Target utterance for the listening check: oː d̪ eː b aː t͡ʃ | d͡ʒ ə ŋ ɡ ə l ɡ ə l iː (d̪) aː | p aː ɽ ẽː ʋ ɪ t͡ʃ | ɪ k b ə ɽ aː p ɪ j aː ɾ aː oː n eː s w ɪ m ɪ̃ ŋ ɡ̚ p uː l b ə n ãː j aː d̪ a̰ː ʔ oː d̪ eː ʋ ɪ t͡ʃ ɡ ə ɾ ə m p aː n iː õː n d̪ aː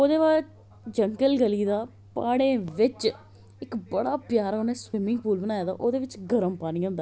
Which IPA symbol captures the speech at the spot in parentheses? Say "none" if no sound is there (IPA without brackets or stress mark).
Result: d̪